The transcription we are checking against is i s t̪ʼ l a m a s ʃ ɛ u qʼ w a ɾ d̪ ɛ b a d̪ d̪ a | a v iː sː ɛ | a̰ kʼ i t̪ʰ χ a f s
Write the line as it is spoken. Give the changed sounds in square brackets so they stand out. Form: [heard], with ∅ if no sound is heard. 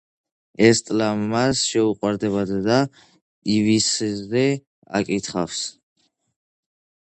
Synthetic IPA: [ɛ] s t̪ʼ l a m a s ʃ ɛ u qʼ w a ɾ d̪ ɛ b a d̪ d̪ a | [i] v [i] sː ɛ | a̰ kʼ i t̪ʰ χ a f s